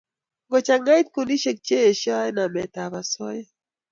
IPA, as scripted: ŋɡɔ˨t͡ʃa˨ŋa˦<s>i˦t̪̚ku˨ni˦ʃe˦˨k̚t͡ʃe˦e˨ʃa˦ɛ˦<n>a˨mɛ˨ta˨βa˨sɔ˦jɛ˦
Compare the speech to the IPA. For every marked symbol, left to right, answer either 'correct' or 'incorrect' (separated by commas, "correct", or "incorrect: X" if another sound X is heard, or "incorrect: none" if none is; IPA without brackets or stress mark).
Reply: incorrect: none, correct